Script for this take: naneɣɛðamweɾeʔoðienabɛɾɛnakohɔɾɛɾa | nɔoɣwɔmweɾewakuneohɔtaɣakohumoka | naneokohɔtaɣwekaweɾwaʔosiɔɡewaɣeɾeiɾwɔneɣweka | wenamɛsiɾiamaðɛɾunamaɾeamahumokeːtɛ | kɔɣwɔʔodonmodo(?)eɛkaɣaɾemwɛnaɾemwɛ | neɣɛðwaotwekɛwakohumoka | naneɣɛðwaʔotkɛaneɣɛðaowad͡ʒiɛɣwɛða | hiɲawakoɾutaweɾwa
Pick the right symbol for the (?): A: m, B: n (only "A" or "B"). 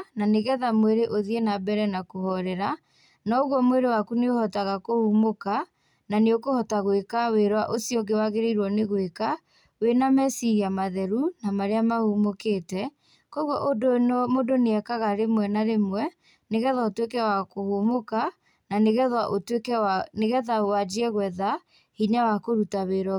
B